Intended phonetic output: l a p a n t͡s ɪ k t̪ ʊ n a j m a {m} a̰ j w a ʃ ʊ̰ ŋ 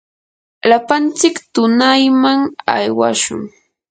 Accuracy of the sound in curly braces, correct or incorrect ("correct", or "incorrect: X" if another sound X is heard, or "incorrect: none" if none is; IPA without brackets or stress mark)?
incorrect: ŋ